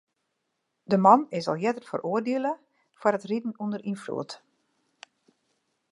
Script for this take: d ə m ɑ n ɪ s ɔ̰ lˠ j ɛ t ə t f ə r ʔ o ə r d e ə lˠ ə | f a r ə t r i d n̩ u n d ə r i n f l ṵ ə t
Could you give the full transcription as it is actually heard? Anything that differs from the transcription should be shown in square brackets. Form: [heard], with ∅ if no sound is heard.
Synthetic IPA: d ə m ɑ n ɪ s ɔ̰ lˠ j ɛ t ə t f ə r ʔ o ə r d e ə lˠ ə | f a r ə t r i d n̩ u n d ə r i n f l ṵ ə t